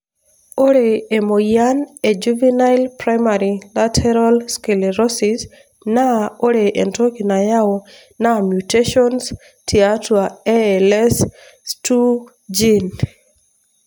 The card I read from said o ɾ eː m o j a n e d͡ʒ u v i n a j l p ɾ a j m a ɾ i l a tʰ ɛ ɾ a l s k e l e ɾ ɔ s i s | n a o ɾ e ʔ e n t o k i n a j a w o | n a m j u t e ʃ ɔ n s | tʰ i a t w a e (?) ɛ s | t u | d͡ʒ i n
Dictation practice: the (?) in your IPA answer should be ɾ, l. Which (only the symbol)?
l